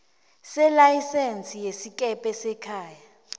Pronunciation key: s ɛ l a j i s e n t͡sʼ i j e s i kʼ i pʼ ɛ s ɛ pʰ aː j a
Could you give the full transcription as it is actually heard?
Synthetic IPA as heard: s ɛ l a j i s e n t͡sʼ i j e s i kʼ ɛ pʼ ɛ s ɛ kʰ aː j a